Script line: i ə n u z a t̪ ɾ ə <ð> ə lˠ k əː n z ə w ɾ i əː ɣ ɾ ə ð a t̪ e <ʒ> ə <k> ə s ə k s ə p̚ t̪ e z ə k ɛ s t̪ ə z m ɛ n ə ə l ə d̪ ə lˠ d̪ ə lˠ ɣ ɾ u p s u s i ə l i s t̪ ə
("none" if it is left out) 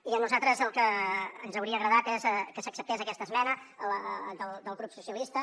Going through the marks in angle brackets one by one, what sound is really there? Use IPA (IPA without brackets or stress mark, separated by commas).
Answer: z, z, k